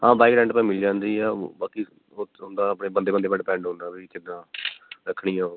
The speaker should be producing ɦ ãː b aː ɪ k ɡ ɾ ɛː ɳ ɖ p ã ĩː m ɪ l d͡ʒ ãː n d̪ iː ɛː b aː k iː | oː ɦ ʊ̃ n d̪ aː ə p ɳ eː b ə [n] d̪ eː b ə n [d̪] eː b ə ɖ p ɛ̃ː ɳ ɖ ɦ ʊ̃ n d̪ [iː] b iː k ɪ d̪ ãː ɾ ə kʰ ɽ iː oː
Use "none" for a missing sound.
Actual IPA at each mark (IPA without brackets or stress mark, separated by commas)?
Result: n, d̪, aː